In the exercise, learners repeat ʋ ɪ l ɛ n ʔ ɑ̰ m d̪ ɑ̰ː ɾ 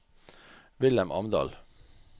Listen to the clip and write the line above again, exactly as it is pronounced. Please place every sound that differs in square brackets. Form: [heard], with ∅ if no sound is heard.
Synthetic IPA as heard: ʋ ɪ l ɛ [m] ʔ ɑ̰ m d̪ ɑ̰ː [l]